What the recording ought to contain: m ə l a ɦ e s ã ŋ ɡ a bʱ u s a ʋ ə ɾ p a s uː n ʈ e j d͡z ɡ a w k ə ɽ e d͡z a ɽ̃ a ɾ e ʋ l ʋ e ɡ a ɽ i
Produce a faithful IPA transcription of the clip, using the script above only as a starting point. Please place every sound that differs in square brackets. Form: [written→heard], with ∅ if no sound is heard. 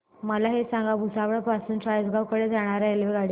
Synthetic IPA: m ə l a ɦ e s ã ŋ ɡ a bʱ u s a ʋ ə [ɾ→ɭ] p a s uː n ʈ [e→a] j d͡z ɡ a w k ə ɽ e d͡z a ɽ̃ a ɾ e [ʋ→∅] l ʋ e ɡ a ɽ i